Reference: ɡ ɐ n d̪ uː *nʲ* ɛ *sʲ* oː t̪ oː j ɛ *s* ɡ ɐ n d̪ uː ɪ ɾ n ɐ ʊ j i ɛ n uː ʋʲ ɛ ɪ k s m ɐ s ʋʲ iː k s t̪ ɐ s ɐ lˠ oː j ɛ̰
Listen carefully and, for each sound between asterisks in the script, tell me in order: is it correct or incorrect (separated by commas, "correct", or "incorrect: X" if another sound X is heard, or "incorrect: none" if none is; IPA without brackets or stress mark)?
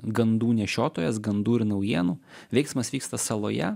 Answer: correct, incorrect: ʃʲ, correct